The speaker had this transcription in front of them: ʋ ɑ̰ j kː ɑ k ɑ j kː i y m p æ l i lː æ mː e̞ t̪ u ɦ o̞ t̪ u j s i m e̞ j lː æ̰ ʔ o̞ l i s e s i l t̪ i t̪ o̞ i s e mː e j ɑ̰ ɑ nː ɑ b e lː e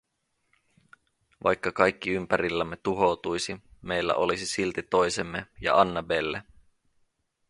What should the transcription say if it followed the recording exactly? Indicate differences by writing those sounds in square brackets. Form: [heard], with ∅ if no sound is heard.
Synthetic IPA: ʋ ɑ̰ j kː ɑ k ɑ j kː i y m p æ [ɾ] i lː æ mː e̞ t̪ u ɦ o̞ t̪ u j s i m e̞ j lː æ̰ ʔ o̞ l i s [i] s i l t̪ i t̪ o̞ [j] s e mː e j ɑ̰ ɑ nː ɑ b e lː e